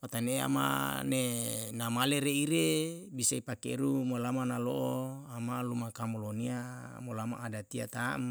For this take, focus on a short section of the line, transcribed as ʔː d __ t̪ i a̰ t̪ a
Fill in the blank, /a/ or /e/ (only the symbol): a